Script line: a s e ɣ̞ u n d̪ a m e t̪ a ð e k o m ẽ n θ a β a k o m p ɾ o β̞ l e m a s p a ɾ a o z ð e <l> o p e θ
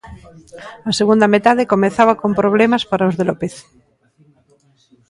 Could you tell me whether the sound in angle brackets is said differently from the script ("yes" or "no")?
no